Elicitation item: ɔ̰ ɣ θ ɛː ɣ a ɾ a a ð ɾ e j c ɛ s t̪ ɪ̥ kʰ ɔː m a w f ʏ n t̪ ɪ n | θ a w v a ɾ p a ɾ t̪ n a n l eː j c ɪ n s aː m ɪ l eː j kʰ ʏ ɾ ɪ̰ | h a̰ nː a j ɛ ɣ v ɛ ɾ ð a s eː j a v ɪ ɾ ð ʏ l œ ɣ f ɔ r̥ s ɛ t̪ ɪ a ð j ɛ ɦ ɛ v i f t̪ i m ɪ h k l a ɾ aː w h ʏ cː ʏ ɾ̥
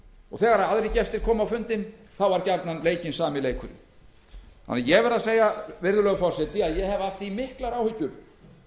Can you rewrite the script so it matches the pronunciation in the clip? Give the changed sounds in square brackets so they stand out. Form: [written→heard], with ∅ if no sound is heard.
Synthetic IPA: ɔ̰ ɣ θ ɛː ɣ a ɾ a a ð ɾ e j c ɛ s t̪ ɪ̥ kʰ ɔː m a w f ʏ n t̪ ɪ n | θ a w v a ɾ [p→c] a ɾ t̪ n a n l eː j c ɪ n s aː m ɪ l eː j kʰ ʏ ɾ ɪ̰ | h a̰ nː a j ɛ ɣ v ɛ ɾ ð a s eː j a v ɪ ɾ ð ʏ l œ ɣ f ɔ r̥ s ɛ t̪ ɪ a ð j ɛ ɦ ɛ v [i→a] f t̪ i m ɪ h k l a ɾ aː w h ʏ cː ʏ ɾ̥